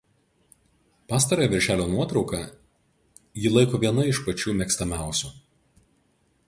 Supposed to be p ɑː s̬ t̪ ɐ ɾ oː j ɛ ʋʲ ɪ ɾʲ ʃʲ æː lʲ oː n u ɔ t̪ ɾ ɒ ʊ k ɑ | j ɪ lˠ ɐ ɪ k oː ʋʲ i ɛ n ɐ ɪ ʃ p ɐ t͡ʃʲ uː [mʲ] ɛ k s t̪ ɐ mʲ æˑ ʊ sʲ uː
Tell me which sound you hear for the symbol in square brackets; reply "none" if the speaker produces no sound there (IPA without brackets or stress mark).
mʲ